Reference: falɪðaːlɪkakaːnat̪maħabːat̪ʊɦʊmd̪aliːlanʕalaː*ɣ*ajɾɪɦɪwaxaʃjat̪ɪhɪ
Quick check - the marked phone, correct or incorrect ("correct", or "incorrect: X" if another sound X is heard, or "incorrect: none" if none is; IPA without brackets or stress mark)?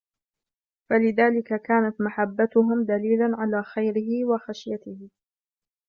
incorrect: x